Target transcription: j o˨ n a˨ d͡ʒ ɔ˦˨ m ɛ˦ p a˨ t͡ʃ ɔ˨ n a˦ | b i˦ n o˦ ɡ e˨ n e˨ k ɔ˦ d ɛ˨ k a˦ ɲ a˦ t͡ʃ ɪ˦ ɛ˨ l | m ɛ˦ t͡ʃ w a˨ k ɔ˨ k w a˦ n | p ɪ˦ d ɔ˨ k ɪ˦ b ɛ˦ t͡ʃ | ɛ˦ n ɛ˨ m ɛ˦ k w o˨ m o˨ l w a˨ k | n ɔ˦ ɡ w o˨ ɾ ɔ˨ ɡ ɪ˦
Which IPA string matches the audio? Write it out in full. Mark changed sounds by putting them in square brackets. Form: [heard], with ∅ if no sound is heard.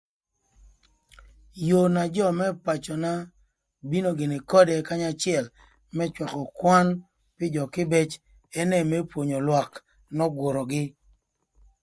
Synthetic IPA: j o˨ n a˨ d͡ʒ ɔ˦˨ m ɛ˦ p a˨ t͡ʃ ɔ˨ n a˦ | b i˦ n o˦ ɡ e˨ n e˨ k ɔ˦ d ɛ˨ k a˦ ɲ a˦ t͡ʃ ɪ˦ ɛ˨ l | m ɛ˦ t͡ʃ w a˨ k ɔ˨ k w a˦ n | p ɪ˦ [d͡ʒ] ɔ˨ k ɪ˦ b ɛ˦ t͡ʃ | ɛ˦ n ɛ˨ m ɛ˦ [p] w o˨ [ɲ] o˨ l w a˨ k | n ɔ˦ ɡ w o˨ ɾ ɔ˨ ɡ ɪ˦